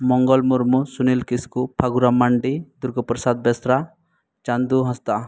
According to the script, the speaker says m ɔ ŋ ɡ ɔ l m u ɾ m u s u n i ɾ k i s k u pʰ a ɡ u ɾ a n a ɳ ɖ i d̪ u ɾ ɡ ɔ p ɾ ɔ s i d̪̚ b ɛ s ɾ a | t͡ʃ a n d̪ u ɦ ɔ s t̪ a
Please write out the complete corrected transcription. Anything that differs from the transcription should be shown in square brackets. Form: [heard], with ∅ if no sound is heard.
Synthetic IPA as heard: m ɔ ŋ ɡ ɔ l m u ɾ m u s u n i [l] k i s k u pʰ a ɡ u ɾ a [m] a ɳ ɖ i d̪ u ɾ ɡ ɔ p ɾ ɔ s [a] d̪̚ b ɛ s ɾ a | t͡ʃ a n d̪ u ɦ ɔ s t̪ a